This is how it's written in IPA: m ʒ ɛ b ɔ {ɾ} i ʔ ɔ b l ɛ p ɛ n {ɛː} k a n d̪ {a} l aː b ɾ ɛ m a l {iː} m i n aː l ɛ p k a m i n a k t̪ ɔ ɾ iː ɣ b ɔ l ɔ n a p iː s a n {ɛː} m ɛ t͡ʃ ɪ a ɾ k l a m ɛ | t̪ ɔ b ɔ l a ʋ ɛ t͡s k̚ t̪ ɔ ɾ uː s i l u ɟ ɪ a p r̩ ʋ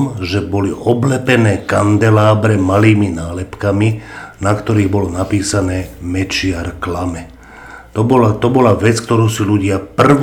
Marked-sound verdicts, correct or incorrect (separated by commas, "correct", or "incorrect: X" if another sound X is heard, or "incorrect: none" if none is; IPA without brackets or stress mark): incorrect: l, correct, incorrect: ɛ, correct, correct